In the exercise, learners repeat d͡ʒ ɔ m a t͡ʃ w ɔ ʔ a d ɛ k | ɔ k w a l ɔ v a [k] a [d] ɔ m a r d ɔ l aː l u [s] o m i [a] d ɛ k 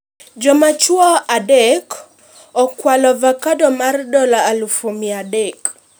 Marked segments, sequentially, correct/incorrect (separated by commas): correct, correct, incorrect, correct